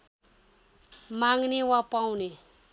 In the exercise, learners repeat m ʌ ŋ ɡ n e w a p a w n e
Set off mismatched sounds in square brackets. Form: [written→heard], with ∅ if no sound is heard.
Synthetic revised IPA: m [ʌ→a] ŋ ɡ n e w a p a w n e